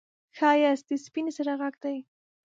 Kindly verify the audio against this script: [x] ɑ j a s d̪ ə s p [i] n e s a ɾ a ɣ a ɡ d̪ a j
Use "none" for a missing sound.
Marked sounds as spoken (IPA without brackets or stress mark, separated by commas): x, i